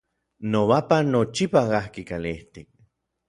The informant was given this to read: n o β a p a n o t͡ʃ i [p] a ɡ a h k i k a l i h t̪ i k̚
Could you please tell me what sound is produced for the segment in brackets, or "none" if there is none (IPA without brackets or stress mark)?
p